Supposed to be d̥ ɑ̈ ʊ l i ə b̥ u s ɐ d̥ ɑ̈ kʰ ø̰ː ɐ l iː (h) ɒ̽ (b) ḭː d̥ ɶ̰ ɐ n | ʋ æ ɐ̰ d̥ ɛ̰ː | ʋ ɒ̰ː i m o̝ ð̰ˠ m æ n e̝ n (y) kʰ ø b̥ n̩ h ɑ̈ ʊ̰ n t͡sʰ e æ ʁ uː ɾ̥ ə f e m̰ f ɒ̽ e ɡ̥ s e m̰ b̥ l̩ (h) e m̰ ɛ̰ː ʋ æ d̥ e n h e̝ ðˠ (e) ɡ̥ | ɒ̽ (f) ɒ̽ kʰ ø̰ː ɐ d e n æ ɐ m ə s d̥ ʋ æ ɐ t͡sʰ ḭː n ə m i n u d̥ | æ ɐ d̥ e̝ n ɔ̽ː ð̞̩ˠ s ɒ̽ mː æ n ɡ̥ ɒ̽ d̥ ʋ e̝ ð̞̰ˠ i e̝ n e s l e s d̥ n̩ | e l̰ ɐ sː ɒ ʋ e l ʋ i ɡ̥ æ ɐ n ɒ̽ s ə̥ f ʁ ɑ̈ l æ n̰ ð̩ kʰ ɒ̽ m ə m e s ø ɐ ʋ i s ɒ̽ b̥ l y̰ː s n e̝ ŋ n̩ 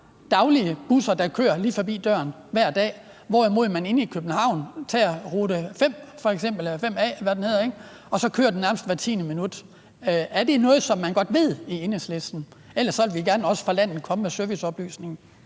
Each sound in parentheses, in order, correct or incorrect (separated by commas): incorrect, correct, incorrect, incorrect, correct, incorrect